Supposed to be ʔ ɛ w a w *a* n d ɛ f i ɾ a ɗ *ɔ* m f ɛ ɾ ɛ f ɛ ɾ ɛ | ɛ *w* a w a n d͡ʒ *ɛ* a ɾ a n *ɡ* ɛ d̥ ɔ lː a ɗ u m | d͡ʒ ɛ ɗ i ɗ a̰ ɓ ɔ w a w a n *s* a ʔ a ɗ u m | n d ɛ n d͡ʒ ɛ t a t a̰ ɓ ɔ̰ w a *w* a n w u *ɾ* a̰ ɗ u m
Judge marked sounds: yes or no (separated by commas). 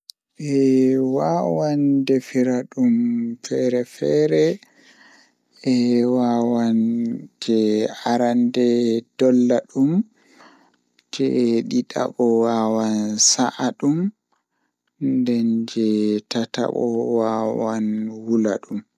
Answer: yes, no, yes, yes, no, yes, yes, no